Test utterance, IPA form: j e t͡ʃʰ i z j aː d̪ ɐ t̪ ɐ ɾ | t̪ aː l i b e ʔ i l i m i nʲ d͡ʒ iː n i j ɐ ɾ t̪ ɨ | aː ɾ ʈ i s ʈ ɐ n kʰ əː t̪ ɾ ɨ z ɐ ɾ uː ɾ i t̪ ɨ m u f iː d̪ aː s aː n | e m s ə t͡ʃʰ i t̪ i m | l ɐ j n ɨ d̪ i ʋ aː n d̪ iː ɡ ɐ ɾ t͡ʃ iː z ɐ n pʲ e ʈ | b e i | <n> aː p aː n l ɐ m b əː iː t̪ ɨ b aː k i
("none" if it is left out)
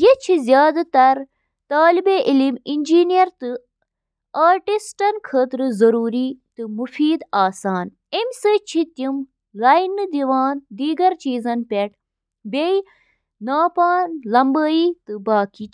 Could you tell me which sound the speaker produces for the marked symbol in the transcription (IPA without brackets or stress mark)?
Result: n